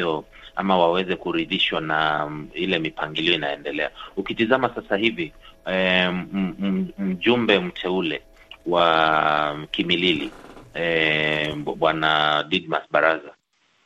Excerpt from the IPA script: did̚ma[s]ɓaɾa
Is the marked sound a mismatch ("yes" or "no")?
no